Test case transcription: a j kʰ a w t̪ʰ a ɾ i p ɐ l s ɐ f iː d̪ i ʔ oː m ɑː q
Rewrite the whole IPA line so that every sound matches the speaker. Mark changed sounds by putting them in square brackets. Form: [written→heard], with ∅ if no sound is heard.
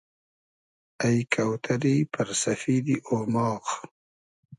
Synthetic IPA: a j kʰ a w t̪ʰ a ɾ i p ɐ [l→ɾ] s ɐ f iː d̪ i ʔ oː m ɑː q